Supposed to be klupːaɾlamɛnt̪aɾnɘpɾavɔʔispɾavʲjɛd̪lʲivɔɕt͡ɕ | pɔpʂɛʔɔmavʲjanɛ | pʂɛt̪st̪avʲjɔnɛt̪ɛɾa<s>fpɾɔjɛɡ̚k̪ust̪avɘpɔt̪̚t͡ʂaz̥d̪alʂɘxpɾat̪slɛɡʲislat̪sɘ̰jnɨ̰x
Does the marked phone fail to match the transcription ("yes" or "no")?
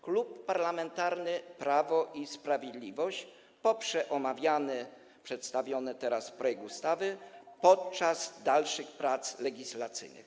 no